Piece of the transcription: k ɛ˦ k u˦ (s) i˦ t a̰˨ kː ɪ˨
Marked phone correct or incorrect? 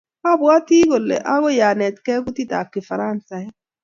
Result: incorrect